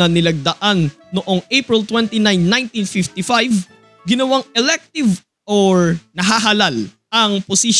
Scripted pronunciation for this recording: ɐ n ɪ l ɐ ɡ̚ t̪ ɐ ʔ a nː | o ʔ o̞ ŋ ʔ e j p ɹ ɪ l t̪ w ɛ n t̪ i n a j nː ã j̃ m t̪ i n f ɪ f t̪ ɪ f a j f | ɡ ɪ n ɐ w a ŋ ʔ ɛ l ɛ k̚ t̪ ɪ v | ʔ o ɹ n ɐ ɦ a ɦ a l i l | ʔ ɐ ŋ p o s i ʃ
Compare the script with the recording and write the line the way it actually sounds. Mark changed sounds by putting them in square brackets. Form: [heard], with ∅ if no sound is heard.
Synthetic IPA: ɐ n ɪ l ɐ ɡ̚ [d̪] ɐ ʔ a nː | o ʔ o̞ ŋ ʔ e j p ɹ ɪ l t̪ w ɛ n t̪ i n a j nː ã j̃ [n] t̪ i n f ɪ f t̪ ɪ f a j [v] | ɡ ɪ n ɐ w a ŋ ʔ ɛ l ɛ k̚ t̪ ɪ v | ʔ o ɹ n ɐ ɦ a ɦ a l [a] l | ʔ ɐ ŋ p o s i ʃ